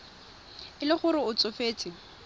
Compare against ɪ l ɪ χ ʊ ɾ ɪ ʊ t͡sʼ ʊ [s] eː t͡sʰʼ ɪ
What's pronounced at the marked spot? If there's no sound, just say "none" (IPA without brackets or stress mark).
f